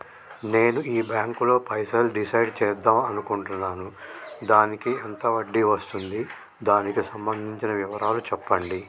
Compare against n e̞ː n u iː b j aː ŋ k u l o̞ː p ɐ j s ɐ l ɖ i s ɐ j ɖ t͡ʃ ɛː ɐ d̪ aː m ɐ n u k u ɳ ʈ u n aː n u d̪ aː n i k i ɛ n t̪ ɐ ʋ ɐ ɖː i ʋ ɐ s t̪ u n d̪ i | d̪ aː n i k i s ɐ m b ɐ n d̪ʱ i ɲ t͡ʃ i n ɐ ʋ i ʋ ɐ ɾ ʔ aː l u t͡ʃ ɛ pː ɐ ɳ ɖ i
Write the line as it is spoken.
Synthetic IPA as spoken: n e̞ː n u iː b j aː ŋ k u l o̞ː p ɐ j s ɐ l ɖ i s ɐ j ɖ t͡ʃ ɛː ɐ d̪ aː m ɐ n u k u ɳ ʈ u nː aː n u d̪ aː n i k i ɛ n t̪ ɐ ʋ ɐ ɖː i ʋ ɐ s t̪ u n d̪ i | d̪ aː n i k i s ɐ m b ɐ n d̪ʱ i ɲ t͡ʃ i n ɐ ʋ i ʋ ɐ ɾ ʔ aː l u t͡ʃ ɛ pː ɐ ɳ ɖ i

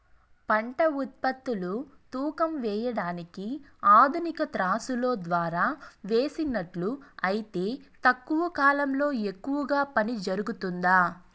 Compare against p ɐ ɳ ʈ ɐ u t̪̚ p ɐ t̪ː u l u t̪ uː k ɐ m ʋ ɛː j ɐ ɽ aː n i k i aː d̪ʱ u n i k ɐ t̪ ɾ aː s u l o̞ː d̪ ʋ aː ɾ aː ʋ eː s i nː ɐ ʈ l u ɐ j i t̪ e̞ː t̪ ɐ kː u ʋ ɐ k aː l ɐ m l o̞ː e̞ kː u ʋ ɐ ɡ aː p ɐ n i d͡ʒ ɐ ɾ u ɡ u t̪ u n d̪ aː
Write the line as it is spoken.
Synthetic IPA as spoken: p ɐ ɳ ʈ ɐ u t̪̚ p ɐ t̪ː u l u t̪ uː k ɐ m ʋ ɛː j ɐ ɽ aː n i k i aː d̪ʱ u n i k ɐ t̪ ɾ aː s u l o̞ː d̪ ʋ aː ɾ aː ʋ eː s i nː ɐ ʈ l u ɐ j i t̪ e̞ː t̪ ɐ kː u ʋ ɐ k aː l ɐ m l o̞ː e̞ kː u ʋ ɐ ɡ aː p ɐ n i d͡ʒ ɐ ɾ u ɡ u t̪ u n d̪ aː

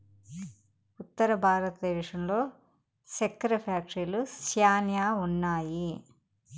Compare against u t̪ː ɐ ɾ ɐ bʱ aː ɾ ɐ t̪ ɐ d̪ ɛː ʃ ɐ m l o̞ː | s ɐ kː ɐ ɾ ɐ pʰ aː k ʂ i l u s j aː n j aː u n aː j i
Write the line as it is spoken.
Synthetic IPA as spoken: u t̪ː ɐ ɾ ɐ bʱ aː ɾ ɐ t̪ ɐ d̪ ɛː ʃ ɐ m l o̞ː | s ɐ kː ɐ ɾ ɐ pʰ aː k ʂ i l u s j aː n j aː u nː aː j i

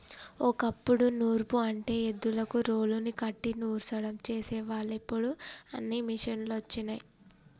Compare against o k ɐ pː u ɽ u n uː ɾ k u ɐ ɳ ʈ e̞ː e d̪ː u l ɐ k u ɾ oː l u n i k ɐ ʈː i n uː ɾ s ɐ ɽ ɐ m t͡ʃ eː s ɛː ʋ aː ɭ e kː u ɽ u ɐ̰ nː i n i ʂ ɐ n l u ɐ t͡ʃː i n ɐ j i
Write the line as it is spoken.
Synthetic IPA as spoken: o k ɐ pː u ɽ u n uː ɾ p u ɐ ɳ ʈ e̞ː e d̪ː u l ɐ k u ɾ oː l u n i k ɐ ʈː i n uː ɾ s ɐ ɽ ɐ m t͡ʃ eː s ɛː ʋ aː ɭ e pː u ɽ u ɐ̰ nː i m i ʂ ɐ n l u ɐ t͡ʃː i n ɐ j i

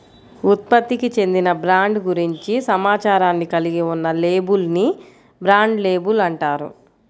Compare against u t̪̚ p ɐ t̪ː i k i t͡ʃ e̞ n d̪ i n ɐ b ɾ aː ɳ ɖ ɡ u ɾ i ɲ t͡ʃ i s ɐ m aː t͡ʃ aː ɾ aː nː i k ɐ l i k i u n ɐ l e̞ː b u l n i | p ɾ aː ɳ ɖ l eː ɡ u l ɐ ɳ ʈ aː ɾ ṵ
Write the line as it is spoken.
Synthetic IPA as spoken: u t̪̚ p ɐ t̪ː i k i t͡ʃ e̞ n d̪ i n ɐ b ɾ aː ɳ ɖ ɡ u ɾ i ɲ t͡ʃ i s ɐ m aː t͡ʃ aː ɾ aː nː i k ɐ l i ɡ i u nː ɐ l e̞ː b u l n i | b ɾ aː ɳ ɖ l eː b u l ɐ ɳ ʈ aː ɾ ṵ

